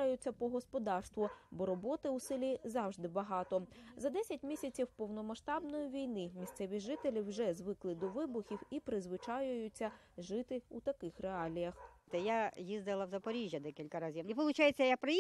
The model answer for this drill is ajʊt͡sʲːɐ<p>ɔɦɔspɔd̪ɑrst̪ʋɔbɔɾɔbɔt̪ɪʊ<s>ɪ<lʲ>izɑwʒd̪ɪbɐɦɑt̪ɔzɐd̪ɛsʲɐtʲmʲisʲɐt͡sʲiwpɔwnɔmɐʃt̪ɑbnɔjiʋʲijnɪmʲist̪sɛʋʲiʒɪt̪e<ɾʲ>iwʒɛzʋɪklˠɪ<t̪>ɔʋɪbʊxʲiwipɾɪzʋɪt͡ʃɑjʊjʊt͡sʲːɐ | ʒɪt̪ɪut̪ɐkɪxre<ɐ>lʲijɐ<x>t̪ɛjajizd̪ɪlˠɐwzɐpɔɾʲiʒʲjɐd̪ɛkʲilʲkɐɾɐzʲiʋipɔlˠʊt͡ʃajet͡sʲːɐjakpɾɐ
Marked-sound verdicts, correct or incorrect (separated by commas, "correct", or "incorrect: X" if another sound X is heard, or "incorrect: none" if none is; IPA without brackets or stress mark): correct, correct, correct, incorrect: lʲ, incorrect: d̪, incorrect: ɑ, correct